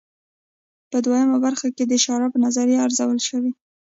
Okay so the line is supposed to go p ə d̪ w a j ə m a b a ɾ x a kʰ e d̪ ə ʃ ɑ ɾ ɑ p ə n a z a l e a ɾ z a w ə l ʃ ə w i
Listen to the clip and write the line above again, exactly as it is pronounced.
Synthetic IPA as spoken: p ə d̪ w a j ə m a b a ɾ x a k e d̪ ə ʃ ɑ ɾ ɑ p ə n a z a ɾ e a ɾ z a w ə l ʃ ə w i